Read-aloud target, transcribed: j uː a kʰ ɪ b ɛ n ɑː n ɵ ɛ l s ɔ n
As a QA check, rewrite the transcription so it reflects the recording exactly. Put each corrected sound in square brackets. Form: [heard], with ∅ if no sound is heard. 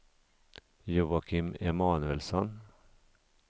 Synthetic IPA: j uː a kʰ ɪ [m] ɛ [m] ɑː n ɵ ɛ l s ɔ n